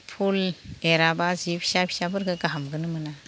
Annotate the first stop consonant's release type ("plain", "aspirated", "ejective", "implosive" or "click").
aspirated